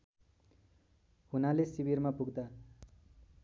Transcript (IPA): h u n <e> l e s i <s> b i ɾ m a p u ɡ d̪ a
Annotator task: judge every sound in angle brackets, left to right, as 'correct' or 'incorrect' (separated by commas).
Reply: incorrect, incorrect